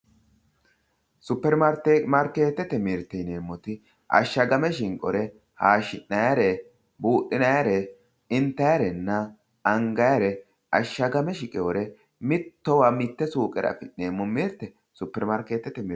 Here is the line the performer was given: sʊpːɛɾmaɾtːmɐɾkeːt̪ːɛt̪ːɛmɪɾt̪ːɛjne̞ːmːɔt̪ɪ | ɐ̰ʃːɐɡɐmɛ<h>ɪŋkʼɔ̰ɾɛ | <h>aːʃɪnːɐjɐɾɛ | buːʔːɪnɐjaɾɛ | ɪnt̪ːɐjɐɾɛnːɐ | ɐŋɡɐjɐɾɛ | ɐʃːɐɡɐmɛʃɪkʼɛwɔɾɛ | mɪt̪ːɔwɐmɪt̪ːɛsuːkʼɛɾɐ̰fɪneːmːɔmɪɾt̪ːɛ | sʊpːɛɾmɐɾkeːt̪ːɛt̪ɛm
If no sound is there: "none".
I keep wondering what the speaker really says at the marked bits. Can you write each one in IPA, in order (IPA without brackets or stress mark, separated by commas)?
ʃ, h